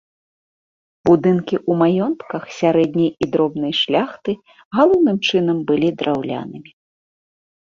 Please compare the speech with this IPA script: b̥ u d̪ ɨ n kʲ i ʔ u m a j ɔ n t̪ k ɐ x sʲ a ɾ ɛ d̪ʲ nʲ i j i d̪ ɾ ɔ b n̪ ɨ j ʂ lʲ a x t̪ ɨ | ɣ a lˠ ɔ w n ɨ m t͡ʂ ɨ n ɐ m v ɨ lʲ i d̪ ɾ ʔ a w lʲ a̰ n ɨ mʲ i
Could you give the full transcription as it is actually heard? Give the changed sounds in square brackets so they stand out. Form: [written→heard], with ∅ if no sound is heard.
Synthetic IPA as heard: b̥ u d̪ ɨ n kʲ i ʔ u m a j ɔ n t̪ k ɐ x sʲ a ɾ ɛ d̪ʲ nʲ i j i d̪ ɾ ɔ b n̪ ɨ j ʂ lʲ a x t̪ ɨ | ɣ a lˠ ɔ w n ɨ m t͡ʂ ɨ n ɐ m [v→b] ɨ lʲ i d̪ ɾ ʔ a w lʲ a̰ n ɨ mʲ i